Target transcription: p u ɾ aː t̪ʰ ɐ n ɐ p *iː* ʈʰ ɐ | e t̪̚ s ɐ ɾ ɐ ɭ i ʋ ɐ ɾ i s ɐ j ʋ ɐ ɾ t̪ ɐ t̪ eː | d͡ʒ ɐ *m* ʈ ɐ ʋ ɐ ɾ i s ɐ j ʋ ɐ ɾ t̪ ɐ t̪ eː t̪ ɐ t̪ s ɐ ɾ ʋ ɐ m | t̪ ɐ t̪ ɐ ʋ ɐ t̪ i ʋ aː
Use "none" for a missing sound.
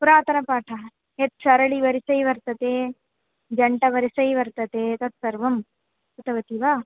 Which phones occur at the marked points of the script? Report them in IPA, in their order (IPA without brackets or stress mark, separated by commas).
aː, ɳ